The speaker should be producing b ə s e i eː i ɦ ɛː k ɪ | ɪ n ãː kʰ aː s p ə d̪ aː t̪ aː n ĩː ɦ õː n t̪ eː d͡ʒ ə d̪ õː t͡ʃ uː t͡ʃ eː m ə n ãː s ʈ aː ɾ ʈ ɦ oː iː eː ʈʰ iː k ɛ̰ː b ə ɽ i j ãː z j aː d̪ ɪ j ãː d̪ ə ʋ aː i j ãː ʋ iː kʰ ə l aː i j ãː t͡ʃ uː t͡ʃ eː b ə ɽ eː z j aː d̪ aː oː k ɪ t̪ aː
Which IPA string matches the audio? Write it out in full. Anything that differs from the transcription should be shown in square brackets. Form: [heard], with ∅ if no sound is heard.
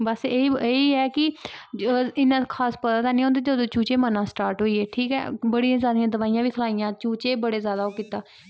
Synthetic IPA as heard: b ə s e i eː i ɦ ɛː k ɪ | ɪ n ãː kʰ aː s p ə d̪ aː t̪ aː n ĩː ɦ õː n [d̪] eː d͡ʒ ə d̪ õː t͡ʃ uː t͡ʃ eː m ə n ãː s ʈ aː ɾ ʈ ɦ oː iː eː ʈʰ iː k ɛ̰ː b ə ɽ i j ãː z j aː d̪ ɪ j ãː d̪ ə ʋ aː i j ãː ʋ iː kʰ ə l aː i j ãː t͡ʃ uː t͡ʃ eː b ə ɽ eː z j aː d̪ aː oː k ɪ t̪ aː